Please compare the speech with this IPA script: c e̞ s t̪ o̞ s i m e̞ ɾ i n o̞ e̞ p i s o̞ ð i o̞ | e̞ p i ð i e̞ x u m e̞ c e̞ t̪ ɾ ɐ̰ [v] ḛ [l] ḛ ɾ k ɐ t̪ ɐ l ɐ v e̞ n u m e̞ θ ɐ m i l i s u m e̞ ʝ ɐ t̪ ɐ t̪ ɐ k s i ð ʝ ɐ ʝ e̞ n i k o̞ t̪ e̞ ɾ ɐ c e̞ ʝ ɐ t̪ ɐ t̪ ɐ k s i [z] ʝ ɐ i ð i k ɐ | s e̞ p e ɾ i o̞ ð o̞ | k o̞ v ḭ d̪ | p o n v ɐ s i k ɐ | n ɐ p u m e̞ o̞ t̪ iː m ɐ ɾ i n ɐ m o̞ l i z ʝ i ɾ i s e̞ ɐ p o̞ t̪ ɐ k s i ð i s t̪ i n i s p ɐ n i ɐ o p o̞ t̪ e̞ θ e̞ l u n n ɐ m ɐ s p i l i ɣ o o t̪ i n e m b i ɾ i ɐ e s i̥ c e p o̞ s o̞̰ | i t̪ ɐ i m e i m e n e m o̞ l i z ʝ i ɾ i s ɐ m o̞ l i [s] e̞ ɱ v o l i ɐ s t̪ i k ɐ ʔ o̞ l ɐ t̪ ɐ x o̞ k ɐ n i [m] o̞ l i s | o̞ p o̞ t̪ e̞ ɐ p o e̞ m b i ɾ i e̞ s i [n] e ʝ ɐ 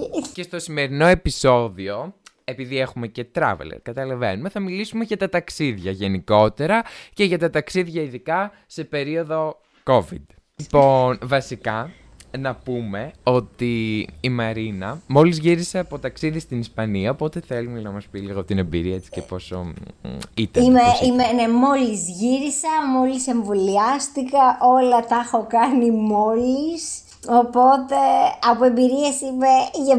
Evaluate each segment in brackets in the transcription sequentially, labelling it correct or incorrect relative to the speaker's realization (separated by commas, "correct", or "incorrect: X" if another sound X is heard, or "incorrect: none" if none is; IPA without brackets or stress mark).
correct, correct, incorrect: ð, correct, correct, incorrect: m